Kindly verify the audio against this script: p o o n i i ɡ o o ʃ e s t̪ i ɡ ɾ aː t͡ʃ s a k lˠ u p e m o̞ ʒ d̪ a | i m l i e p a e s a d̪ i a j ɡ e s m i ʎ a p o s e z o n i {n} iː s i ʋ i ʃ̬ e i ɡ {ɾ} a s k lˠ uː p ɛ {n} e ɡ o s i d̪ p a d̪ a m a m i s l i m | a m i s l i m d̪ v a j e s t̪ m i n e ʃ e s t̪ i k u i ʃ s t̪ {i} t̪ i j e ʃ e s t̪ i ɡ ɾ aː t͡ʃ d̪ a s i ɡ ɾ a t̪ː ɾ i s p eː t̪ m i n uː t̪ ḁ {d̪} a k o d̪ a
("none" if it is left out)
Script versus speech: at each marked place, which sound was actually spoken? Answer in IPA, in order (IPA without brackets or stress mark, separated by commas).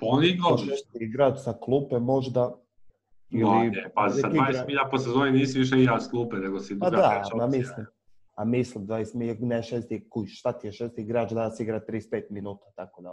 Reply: n, ɾ, n, a, t̪